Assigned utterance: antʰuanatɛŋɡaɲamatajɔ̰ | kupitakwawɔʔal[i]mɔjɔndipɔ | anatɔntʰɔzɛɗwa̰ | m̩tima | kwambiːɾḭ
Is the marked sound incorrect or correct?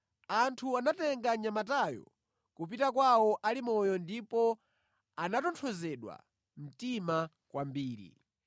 correct